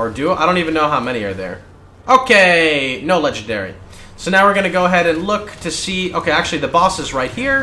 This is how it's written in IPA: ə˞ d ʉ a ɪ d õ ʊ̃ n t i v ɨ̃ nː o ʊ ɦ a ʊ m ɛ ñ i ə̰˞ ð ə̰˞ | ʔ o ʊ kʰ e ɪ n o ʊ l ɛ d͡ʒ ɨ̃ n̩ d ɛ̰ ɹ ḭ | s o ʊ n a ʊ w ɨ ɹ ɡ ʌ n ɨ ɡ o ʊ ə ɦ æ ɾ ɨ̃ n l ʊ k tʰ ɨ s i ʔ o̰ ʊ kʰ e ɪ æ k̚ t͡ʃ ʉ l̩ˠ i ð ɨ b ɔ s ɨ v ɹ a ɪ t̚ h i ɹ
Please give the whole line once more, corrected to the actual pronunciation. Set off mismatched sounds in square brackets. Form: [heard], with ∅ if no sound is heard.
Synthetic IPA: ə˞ d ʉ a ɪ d õ ʊ̃ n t i v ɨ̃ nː o ʊ ɦ a ʊ m ɛ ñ i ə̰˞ ð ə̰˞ | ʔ o ʊ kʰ e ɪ n o ʊ l ɛ d͡ʒ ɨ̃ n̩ d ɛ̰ ɹ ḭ | s o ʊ n a ʊ w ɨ ɹ ɡ ʌ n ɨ ɡ o ʊ ə ɦ [ɛ] ɾ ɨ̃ n l ʊ k tʰ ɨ s i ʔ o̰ ʊ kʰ e ɪ æ k̚ t͡ʃ ʉ l̩ˠ i ð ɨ b ɔ s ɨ [z] ɹ a ɪ t̚ h i ɹ